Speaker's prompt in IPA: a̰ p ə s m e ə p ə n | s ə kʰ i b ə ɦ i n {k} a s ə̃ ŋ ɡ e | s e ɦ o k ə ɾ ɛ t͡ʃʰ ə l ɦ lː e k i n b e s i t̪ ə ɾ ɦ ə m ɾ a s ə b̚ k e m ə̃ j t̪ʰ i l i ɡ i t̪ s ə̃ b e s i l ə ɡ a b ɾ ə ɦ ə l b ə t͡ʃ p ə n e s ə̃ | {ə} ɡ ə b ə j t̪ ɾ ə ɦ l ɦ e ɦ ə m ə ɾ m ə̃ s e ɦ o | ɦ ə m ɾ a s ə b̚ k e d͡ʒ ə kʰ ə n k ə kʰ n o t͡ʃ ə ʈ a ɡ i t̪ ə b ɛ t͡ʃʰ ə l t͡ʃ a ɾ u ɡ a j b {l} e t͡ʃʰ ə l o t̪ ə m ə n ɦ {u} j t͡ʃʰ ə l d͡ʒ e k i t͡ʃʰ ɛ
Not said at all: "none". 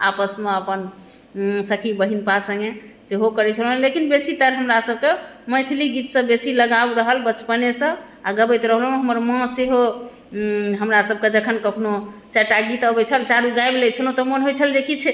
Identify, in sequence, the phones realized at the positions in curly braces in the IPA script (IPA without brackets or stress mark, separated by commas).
p, a, l, o